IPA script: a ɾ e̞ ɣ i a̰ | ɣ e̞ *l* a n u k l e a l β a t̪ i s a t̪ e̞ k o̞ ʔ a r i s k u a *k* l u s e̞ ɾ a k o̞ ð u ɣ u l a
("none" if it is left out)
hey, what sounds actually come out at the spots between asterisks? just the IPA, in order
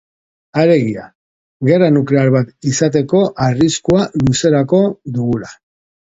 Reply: r, none

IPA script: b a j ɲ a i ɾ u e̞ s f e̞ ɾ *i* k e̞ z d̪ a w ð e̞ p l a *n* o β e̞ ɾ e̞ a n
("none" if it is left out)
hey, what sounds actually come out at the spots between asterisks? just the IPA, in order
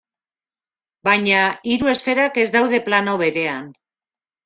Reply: a, n

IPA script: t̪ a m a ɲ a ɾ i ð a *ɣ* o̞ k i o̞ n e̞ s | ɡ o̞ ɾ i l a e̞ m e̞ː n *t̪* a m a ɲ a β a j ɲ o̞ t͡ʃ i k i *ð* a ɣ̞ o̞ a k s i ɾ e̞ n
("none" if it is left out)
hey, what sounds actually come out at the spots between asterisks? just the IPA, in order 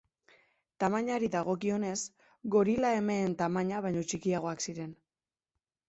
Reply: ɣ, t̪, none

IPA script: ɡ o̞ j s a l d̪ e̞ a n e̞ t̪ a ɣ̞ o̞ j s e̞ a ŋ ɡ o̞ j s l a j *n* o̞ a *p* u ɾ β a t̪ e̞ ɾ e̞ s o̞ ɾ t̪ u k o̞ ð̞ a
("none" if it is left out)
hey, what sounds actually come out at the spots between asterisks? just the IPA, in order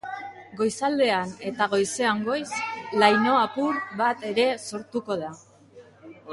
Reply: n, p

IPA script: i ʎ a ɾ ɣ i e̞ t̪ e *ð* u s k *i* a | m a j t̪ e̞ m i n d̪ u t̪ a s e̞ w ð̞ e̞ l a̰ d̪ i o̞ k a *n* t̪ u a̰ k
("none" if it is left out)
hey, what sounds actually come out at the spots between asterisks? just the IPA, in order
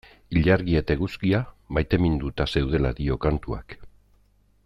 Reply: ɣ, i, n

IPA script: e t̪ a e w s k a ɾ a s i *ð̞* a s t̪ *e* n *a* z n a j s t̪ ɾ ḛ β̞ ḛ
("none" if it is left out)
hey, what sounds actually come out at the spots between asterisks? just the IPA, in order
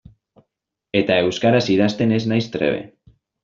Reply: ð̞, e, e

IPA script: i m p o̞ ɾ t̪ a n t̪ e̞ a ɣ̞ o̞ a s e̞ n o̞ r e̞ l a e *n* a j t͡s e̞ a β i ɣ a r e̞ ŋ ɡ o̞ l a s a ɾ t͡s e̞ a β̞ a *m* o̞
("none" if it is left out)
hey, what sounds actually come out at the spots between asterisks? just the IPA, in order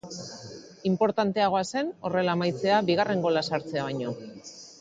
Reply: m, ɲ

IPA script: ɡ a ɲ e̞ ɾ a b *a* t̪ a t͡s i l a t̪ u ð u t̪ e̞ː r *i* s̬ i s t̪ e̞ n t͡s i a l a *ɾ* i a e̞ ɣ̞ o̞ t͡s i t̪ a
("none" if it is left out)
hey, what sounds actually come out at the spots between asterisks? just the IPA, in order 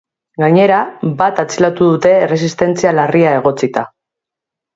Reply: a, e, r

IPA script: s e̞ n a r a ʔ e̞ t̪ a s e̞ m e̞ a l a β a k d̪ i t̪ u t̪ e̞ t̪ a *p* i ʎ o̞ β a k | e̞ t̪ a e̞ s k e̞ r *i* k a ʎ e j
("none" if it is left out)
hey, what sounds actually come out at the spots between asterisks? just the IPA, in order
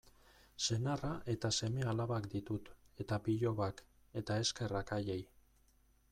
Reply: p, a

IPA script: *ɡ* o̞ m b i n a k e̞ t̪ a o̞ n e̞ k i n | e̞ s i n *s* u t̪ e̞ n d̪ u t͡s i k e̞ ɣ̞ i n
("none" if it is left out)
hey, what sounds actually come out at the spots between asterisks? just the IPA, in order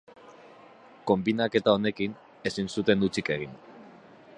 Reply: k, s

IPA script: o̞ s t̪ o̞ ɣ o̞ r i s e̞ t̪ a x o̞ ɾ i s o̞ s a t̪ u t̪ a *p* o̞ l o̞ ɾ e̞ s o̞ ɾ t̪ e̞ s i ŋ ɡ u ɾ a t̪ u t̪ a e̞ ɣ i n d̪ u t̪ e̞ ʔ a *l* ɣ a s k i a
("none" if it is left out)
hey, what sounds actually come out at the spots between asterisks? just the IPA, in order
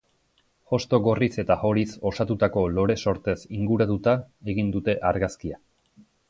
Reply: k, ɾ

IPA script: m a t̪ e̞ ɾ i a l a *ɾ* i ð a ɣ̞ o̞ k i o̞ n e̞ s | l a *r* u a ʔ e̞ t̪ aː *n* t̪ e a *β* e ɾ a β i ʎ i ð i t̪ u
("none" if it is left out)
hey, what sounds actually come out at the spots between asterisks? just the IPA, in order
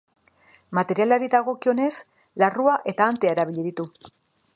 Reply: ɾ, r, n, none

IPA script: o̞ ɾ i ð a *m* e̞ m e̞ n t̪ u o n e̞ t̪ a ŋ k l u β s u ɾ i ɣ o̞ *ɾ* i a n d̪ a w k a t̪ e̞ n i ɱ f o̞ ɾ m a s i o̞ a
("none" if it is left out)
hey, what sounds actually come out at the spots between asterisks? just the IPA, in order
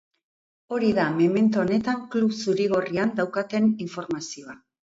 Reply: m, r

